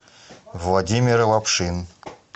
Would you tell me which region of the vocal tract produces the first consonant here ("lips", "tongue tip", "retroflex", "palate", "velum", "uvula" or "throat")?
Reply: lips